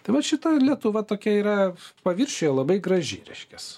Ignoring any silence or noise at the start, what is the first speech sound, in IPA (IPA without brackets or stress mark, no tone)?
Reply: t̪